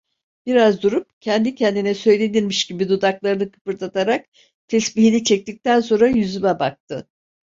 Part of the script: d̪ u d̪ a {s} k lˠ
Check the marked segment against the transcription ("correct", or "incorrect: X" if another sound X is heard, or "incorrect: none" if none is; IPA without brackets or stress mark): incorrect: none